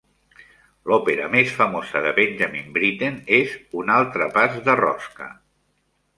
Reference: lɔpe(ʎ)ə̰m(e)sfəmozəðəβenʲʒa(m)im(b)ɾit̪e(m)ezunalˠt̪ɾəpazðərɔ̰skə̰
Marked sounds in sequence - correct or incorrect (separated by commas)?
incorrect, correct, correct, correct, incorrect